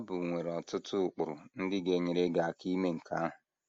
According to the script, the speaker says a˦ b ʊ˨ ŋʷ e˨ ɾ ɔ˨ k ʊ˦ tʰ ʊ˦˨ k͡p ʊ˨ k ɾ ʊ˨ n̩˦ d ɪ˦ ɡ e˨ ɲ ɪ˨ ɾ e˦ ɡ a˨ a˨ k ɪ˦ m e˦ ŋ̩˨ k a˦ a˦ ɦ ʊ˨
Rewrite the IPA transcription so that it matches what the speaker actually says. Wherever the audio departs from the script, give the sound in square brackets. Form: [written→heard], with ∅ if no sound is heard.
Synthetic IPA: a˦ b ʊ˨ ŋʷ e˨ ɾ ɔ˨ [k→t] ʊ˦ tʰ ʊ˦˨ k͡p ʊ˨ [k→∅] ɾ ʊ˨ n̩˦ d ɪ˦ ɡ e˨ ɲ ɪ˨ ɾ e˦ ɡ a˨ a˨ k [ɪ˦→i˦] m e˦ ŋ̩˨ k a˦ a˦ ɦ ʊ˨